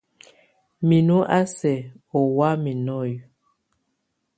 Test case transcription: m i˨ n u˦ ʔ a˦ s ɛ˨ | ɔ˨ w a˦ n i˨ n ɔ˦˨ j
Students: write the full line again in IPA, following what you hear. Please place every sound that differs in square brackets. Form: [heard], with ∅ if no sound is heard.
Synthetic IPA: m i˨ n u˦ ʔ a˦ s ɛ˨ | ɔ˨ w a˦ [m] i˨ n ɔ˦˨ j